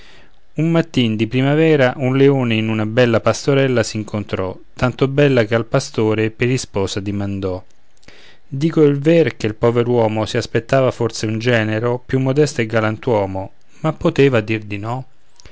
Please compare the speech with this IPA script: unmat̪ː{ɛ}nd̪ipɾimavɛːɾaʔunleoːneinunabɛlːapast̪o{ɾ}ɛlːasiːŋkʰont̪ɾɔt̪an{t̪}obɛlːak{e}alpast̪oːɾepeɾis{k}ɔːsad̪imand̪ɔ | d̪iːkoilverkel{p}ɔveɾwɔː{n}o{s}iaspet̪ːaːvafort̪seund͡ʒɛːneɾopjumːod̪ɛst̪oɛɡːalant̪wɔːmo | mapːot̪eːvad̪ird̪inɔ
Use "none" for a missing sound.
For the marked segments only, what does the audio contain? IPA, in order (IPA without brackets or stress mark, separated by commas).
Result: i, ɾ, t̪, e, p, p, m, s